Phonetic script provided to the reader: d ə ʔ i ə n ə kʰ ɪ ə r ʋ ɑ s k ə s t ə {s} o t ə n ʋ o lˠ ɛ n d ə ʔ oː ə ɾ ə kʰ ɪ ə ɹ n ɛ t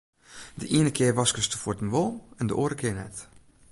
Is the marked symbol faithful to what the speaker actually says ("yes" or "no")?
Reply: no